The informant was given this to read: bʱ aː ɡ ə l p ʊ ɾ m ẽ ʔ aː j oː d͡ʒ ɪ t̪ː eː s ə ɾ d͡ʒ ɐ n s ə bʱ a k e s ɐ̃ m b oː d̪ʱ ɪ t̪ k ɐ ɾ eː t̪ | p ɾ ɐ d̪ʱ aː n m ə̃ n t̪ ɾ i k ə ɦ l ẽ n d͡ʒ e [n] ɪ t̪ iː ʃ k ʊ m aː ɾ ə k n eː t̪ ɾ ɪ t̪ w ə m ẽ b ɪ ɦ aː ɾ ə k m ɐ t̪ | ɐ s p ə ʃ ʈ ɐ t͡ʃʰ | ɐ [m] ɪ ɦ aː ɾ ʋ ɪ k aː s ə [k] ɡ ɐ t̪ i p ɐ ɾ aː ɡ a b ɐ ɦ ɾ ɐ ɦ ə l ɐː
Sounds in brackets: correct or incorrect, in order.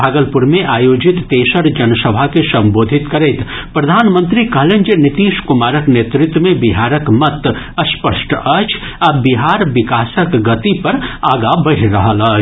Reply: correct, incorrect, correct

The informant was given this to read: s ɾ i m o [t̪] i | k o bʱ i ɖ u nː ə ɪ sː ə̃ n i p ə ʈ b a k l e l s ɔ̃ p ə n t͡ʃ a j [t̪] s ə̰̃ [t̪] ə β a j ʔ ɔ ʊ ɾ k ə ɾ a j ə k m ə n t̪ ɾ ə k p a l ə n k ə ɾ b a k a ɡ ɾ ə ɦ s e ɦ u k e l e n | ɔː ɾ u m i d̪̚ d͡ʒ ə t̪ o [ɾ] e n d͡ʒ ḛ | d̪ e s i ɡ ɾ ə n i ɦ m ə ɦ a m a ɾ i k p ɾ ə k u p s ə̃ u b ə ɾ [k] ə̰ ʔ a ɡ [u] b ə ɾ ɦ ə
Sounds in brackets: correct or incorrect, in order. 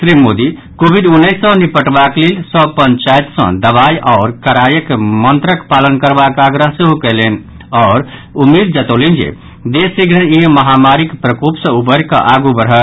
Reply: incorrect, correct, incorrect, incorrect, correct, correct

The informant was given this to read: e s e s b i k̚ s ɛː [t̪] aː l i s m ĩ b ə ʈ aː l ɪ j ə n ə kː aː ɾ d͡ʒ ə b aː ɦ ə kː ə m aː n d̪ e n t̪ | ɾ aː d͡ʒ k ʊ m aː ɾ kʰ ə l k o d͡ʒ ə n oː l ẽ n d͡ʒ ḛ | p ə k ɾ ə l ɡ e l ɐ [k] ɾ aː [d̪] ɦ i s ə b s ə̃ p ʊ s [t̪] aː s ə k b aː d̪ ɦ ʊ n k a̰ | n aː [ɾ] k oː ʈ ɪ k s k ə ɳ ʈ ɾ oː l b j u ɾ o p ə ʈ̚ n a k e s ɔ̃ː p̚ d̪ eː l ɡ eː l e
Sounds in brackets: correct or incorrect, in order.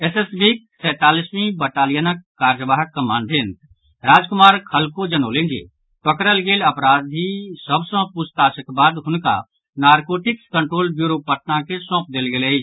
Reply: correct, incorrect, correct, correct, correct

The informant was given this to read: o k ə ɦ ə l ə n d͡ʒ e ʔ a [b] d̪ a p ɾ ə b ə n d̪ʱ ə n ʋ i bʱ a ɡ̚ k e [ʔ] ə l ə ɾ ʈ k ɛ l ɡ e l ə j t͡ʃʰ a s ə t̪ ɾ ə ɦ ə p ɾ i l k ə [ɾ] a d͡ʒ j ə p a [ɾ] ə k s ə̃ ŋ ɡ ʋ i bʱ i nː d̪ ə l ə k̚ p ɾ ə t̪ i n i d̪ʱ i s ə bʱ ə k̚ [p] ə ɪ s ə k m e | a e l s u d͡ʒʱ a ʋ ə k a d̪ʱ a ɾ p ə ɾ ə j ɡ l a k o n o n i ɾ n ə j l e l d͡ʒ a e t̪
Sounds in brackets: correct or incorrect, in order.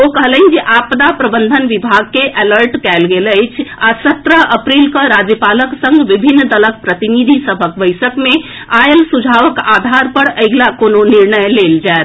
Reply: incorrect, correct, correct, incorrect, incorrect

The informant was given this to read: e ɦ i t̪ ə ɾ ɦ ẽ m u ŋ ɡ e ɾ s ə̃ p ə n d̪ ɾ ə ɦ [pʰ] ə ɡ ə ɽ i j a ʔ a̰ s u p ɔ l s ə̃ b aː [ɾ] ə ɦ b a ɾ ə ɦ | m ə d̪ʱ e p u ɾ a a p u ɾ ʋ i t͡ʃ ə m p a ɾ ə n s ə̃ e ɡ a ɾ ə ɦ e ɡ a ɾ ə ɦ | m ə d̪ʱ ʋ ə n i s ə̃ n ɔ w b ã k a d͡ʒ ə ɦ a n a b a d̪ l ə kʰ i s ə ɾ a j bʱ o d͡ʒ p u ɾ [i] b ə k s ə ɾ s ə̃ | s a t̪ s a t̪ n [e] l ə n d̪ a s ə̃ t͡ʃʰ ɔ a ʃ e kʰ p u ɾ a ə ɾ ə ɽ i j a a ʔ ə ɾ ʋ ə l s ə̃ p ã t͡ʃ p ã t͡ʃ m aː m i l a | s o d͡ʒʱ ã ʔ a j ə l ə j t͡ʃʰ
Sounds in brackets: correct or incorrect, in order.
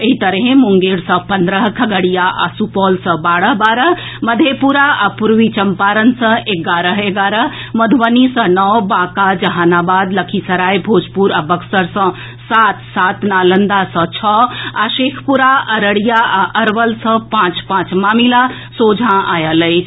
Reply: incorrect, incorrect, incorrect, incorrect

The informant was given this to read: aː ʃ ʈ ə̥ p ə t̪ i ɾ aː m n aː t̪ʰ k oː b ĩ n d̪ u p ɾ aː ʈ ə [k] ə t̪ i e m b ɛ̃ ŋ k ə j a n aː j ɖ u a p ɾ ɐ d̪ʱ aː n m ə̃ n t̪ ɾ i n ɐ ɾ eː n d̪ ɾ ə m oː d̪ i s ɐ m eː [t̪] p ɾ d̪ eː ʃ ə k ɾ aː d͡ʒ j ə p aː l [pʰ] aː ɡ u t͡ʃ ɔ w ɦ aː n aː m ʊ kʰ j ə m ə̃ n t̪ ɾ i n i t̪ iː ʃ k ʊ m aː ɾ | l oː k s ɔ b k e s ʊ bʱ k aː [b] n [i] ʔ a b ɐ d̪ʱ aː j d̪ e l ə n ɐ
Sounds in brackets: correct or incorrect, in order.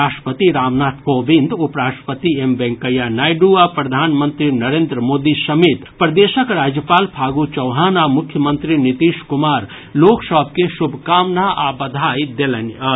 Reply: incorrect, correct, correct, incorrect, incorrect

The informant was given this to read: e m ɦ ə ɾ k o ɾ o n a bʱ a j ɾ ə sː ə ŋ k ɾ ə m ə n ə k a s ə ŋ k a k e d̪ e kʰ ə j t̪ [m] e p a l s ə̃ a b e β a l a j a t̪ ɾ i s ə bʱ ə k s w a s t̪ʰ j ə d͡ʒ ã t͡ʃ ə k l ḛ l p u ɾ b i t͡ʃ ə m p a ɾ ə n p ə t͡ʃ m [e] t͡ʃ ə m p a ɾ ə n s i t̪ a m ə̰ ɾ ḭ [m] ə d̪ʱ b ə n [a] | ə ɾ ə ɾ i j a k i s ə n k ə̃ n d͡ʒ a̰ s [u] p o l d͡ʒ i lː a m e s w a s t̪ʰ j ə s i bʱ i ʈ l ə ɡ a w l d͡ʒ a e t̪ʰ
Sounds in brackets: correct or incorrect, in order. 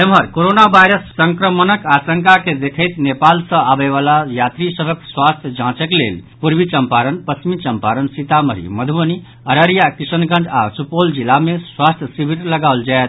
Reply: incorrect, incorrect, correct, incorrect, correct

